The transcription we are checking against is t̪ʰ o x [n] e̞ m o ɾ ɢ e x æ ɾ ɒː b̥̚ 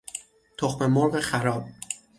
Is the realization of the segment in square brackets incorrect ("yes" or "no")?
yes